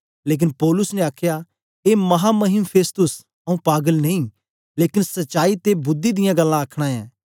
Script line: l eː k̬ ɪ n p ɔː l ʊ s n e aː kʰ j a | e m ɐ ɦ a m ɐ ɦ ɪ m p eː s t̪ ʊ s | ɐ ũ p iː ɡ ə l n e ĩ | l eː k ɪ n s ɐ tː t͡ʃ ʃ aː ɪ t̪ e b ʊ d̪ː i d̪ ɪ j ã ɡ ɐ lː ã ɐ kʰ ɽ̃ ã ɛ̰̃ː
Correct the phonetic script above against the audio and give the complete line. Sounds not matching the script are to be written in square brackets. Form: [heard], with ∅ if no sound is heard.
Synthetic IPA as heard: l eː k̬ ɪ n p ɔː l ʊ s n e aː kʰ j a | e m ɐ ɦ a m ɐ ɦ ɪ m [pʰ] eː s t̪ ʊ s | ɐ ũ p [aː] ɡ ə l n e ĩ | l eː k ɪ n s ɐ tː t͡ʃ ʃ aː [i] t̪ e b ʊ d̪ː i d̪ ɪ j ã ɡ ɐ lː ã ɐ kʰ ɽ̃ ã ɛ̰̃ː